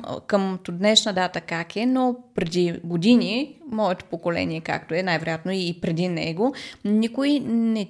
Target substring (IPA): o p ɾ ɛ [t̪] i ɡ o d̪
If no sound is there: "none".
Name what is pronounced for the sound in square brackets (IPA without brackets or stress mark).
d̪